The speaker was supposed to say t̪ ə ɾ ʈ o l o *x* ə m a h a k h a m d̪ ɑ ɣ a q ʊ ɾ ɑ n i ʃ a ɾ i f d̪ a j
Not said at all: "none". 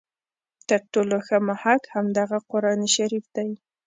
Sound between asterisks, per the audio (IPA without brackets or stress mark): x